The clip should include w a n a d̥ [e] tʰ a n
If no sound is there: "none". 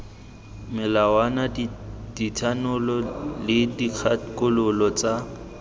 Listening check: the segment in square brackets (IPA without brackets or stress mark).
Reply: i